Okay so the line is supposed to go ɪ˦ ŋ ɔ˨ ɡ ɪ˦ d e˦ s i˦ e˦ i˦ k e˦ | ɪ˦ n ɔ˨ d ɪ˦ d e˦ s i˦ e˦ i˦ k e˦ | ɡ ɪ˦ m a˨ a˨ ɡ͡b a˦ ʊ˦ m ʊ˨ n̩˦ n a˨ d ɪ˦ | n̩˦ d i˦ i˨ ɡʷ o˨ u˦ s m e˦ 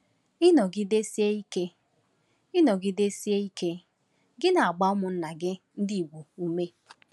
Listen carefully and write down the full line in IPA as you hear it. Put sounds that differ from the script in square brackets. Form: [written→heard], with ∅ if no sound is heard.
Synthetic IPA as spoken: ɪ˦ [ŋ→n] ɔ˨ ɡ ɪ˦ d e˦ s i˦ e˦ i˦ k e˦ | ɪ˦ n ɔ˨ [d→ɡ] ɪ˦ d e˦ s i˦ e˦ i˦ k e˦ | ɡ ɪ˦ [m→n] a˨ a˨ ɡ͡b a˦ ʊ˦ m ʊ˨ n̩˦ n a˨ [d→ɡ] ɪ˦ | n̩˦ d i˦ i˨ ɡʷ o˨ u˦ [s→∅] m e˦